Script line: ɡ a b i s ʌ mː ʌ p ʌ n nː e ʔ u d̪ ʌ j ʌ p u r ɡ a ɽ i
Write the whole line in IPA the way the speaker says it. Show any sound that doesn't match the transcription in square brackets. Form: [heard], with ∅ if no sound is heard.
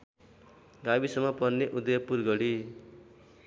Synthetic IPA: ɡ a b i s ʌ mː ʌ p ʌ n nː e ʔ u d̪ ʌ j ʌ p u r ɡ [ʌ] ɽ i

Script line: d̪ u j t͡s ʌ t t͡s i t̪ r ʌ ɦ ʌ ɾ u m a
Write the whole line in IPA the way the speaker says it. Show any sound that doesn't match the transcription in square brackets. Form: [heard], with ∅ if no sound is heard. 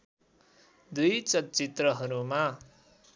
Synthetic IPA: d̪ u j t͡s ʌ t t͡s i t̪ r ʌ ɦ ʌ ɾ u m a

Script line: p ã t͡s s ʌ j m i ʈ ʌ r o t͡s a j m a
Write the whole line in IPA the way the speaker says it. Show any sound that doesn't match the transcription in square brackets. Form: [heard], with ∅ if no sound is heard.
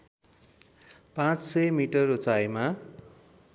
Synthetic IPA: p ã t͡s s ʌ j m i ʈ ʌ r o t͡s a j m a

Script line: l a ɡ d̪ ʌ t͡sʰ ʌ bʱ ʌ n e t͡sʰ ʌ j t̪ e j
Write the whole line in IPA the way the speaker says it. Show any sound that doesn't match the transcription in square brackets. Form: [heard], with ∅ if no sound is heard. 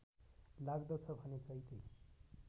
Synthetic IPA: l a ɡ d̪ ʌ t͡sʰ ʌ bʱ ʌ n e [t͡s] ʌ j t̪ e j

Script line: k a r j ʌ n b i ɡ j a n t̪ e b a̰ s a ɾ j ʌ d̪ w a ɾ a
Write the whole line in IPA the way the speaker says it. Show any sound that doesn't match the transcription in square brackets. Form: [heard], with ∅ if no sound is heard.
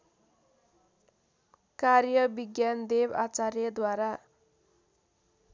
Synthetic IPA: k a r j ʌ [∅] b i ɡ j a n [d̪] e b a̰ [t͡s] a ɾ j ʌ d̪ w a ɾ a

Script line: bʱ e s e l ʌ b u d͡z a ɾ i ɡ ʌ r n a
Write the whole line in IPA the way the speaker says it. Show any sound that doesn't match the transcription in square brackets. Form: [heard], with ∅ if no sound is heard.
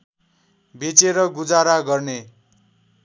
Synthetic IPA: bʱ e [t͡s] e [ɾ] ʌ [ɡ] u d͡z a ɾ [a] ɡ ʌ r n [e]

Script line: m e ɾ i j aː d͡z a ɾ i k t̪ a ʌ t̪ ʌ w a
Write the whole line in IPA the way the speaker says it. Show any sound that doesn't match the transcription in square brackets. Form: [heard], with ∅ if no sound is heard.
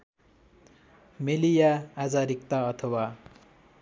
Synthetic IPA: m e [l] i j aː d͡z a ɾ i k t̪ a ʌ [t̪ʰ] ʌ w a

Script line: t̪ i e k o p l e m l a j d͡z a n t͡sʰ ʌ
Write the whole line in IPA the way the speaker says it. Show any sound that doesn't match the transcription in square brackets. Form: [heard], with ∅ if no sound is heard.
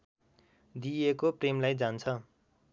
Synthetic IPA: [d̪] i e k o p [r] e m l a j d͡z a n t͡sʰ ʌ

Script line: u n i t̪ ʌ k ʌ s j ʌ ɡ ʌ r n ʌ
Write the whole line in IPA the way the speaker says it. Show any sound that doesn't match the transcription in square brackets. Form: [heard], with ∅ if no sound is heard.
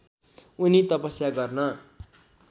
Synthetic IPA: u n i t̪ ʌ [p] ʌ s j [a] ɡ ʌ r n ʌ

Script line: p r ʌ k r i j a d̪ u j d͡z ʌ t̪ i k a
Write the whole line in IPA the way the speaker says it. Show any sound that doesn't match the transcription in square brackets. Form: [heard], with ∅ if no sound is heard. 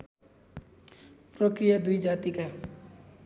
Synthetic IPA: p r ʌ k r i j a d̪ u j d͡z [a] t̪ i k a

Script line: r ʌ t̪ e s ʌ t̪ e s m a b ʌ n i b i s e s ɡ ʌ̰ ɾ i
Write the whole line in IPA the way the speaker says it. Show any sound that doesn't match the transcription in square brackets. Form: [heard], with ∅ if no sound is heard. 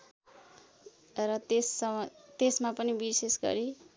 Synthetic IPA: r ʌ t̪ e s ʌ t̪ e s m a [p] ʌ n i b i s e s ɡ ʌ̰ ɾ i

